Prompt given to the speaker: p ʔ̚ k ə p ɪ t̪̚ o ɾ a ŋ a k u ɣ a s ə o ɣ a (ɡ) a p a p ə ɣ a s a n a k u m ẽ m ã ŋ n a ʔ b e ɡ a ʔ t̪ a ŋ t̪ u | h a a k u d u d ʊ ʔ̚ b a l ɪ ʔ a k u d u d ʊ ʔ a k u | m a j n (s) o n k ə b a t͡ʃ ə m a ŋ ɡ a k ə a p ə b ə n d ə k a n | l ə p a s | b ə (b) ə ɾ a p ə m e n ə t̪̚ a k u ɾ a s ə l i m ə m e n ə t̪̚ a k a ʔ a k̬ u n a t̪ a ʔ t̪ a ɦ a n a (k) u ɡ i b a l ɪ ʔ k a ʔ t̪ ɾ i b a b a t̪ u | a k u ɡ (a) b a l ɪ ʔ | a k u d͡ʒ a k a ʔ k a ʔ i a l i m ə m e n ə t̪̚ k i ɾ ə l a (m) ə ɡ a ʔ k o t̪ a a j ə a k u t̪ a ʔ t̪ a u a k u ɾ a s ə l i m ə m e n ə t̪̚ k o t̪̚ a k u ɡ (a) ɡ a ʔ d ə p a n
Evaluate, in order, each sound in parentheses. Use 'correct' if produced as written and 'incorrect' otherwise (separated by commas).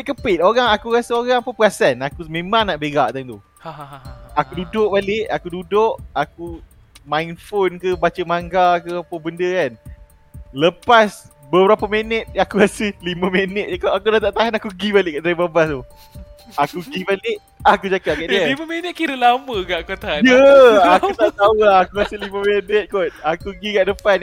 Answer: incorrect, incorrect, correct, correct, incorrect, correct, incorrect